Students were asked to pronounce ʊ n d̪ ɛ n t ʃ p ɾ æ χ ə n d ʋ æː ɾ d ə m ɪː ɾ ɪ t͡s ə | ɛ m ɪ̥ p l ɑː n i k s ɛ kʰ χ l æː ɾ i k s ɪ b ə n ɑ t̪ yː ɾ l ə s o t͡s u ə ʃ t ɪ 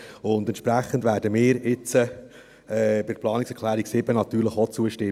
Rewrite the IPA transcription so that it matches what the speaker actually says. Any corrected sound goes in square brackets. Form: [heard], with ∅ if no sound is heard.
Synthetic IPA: ʊ n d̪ ɛ n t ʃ p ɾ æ χ ə n d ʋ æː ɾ d ə m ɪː ɾ ɪ t͡s ə | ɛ [b] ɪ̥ p l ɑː n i k s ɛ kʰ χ l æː ɾ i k s ɪ b ə n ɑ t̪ yː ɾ l ə [χ] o t͡s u ə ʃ t ɪ